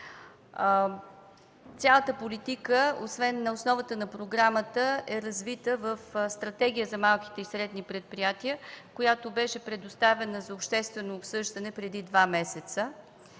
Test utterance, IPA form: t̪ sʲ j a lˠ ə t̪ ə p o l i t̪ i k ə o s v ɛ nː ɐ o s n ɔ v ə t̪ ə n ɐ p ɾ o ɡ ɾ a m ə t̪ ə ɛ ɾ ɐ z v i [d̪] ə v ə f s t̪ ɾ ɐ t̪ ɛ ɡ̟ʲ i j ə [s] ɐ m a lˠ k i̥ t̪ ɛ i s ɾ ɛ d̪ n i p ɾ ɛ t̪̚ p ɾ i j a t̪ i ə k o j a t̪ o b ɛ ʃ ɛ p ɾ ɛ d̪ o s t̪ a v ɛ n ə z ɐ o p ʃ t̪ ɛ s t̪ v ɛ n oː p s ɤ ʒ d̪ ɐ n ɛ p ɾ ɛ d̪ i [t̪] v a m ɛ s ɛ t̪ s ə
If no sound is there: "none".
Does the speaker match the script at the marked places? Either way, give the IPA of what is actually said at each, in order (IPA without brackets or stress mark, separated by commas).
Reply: t̪, z, d̪